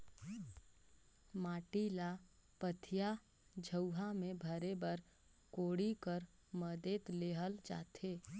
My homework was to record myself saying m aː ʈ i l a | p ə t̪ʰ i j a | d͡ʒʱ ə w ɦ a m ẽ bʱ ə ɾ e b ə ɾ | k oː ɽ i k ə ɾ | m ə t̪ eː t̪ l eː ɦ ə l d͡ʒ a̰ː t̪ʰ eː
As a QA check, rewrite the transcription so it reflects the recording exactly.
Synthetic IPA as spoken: m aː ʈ i l a | p ə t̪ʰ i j a | d͡ʒʱ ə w ɦ a m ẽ bʱ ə ɾ e b ə ɾ | k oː ɽ i k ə ɾ | m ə d̪ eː t̪ l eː ɦ ə l d͡ʒ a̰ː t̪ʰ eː